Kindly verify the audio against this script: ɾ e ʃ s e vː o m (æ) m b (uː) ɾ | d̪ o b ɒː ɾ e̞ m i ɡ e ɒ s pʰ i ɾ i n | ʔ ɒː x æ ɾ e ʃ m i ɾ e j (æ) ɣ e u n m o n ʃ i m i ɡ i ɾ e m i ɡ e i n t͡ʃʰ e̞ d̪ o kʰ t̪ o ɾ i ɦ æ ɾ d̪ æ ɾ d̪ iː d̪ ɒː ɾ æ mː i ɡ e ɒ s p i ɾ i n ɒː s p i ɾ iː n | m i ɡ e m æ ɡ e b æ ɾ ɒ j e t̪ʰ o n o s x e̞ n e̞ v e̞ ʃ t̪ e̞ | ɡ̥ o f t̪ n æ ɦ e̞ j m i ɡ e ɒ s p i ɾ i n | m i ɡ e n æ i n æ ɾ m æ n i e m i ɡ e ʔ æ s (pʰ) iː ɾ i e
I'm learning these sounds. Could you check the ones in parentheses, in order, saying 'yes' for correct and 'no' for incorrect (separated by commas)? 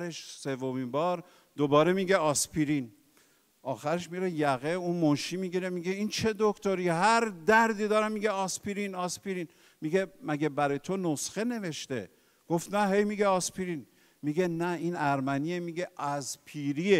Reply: no, no, yes, yes